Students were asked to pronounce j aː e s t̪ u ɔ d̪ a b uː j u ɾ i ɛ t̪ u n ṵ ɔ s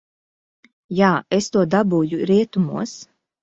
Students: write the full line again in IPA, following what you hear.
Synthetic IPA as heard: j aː e s t̪ u ɔ d̪ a b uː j u ɾ i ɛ t̪ u m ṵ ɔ s